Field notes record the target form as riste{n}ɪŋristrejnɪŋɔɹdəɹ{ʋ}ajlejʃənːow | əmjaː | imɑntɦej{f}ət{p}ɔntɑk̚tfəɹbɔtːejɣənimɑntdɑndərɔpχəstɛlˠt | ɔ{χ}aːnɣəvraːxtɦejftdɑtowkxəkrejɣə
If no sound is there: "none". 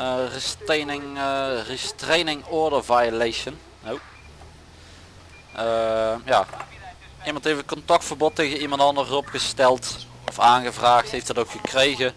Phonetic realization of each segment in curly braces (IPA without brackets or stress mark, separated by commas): n, v, f, k, f